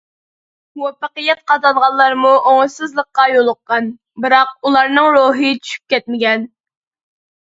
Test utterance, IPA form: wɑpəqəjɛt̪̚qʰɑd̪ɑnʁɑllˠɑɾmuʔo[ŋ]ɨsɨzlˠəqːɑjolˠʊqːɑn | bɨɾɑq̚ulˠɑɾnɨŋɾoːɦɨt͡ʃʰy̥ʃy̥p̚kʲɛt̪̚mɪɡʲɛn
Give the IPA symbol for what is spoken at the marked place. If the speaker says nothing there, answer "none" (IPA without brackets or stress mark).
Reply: ŋ